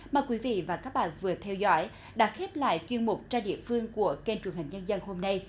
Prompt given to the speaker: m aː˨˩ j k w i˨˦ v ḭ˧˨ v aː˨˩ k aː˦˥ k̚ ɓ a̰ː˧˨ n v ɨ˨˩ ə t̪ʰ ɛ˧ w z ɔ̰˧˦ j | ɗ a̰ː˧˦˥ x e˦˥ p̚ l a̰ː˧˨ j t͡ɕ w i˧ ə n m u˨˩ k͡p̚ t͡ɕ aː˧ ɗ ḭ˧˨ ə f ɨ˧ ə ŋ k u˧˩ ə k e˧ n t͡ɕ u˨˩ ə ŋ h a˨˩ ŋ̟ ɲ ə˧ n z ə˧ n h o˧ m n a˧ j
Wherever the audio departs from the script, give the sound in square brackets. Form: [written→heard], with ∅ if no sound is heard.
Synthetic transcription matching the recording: m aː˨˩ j k w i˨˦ v ḭ˧˨ v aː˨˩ k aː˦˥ k̚ ɓ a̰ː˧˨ n v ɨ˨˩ ə t̪ʰ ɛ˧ w z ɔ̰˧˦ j | ɗ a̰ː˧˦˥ x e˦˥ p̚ l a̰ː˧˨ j t͡ɕ w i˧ ə n m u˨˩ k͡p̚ t͡ɕ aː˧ ɗ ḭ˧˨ ə f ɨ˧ ə ŋ k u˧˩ ə k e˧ n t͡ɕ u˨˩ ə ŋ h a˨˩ ŋ̟ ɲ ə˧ n z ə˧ n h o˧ m n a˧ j

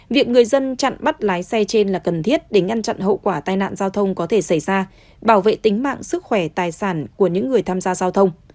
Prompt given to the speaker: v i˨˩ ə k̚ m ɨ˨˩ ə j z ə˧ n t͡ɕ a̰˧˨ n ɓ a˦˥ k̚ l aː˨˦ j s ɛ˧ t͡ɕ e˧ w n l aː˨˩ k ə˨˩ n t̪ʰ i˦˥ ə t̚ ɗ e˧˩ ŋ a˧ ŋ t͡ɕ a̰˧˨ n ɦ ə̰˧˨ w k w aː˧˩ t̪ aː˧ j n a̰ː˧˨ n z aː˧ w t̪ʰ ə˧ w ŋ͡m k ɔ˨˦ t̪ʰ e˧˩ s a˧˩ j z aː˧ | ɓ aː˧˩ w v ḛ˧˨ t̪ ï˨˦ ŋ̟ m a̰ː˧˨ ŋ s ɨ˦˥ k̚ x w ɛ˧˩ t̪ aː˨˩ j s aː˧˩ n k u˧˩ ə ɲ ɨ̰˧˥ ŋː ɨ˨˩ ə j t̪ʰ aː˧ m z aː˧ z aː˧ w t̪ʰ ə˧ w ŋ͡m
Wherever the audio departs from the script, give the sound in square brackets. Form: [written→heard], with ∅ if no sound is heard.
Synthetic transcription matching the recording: v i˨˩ ə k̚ [m→ŋ] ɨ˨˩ ə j z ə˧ n t͡ɕ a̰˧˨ n ɓ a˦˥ [k̚→t̚] l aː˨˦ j s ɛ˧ t͡ɕ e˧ [w→∅] n l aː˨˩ k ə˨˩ n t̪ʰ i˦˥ ə t̚ ɗ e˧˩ ŋ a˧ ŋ t͡ɕ a̰˧˨ n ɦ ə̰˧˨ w k w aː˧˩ t̪ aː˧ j n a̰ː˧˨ n z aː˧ w t̪ʰ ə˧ w ŋ͡m k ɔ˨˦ t̪ʰ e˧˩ s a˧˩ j z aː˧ | ɓ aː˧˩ w v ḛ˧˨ t̪ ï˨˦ ŋ̟ m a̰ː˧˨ ŋ s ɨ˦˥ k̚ x w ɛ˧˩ t̪ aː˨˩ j s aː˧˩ n k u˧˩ ə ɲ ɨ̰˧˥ ŋː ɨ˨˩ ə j t̪ʰ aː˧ m z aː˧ z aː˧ w t̪ʰ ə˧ w ŋ͡m

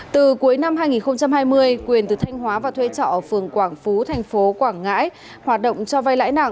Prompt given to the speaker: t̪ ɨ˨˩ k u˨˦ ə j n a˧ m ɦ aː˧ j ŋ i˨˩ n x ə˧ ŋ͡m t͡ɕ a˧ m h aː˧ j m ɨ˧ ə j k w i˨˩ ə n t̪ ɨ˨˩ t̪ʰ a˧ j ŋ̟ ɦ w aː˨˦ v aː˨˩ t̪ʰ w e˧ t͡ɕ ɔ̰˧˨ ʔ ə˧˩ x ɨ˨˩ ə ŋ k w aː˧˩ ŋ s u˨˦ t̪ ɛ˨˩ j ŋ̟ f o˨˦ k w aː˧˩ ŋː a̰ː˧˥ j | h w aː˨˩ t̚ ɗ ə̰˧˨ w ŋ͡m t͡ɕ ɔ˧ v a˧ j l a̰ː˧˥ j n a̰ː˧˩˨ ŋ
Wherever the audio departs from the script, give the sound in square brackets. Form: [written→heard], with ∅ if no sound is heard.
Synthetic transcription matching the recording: t̪ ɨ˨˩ k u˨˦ ə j n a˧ m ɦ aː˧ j ŋ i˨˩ n x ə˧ ŋ͡m t͡ɕ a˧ m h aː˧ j m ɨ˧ ə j k w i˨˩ ə n t̪ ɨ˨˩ t̪ʰ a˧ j ŋ̟ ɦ w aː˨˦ v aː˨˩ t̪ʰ w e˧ t͡ɕ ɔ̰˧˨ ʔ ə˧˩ [x→f] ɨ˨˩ ə ŋ k w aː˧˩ ŋ [s→f] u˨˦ [t̪→t̪ʰ] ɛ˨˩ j ŋ̟ f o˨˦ k w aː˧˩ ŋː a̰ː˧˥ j | h w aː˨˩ t̚ ɗ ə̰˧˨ w ŋ͡m t͡ɕ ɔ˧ v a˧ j l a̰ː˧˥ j n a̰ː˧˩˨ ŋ

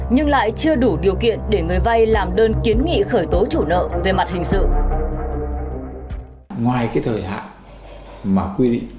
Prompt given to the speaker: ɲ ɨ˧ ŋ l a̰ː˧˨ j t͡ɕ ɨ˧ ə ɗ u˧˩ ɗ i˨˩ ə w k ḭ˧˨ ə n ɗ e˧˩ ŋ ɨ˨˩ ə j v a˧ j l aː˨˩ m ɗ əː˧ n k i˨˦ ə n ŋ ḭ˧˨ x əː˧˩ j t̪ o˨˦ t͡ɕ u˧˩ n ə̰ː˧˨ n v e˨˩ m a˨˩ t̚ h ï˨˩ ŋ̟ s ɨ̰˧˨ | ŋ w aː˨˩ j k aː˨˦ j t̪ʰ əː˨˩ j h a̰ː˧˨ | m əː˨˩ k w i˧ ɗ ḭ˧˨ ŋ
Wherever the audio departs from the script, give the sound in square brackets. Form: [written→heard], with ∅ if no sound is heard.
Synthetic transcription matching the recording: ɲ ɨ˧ ŋ l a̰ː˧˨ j t͡ɕ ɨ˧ ə ɗ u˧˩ ɗ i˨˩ ə w k ḭ˧˨ ə n ɗ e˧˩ ŋ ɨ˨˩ ə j v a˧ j l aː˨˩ m ɗ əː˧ n k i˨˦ ə n ŋ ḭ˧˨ x əː˧˩ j t̪ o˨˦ t͡ɕ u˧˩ n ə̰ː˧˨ [n→∅] v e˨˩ m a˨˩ t̚ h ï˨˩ ŋ̟ s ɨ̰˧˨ | ŋ w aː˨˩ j k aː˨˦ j t̪ʰ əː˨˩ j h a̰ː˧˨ | m [əː˨˩→aː˨˩] k w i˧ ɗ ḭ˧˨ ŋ

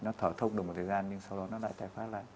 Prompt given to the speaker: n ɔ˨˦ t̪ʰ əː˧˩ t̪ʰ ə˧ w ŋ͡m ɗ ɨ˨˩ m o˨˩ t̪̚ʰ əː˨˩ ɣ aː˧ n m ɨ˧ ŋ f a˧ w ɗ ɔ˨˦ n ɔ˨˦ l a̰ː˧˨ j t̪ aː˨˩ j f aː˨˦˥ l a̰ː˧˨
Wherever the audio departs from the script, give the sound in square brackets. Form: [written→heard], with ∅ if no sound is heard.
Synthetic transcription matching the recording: n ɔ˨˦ t̪ʰ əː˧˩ t̪ʰ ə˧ w ŋ͡m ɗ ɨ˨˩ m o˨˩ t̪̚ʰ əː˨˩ [ɣ→z] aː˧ n [m→ɲ] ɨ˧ ŋ [f→s] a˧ w ɗ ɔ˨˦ n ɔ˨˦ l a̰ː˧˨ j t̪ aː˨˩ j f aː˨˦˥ l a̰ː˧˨

